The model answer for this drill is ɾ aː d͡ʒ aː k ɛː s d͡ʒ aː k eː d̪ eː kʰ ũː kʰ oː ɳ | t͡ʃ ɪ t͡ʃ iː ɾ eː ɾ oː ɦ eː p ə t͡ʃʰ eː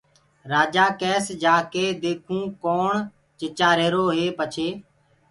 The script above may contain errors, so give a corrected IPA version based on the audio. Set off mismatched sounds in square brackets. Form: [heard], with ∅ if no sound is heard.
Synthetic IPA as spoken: ɾ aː d͡ʒ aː k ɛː s d͡ʒ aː k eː d̪ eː kʰ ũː [k] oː ɳ | t͡ʃ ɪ t͡ʃ [aː] ɾ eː ɾ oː ɦ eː p ə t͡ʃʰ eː